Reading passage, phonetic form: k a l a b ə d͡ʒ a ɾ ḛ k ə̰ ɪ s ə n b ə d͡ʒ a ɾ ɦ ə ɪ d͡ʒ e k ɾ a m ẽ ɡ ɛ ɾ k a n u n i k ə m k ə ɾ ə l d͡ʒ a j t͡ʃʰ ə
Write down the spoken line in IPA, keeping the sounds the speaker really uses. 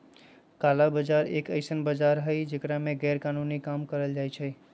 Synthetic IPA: k a l a b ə d͡ʒ a ɾ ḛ k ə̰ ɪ s ə n b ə d͡ʒ a ɾ ɦ ə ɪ d͡ʒ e k ɾ a m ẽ ɡ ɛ ɾ k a n u n i k a m k ə ɾ ə l d͡ʒ a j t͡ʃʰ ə